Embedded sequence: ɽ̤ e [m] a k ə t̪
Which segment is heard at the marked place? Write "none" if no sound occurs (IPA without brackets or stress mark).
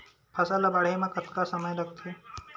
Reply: m